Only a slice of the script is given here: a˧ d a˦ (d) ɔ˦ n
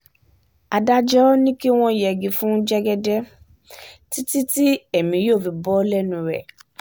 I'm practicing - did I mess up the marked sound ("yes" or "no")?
yes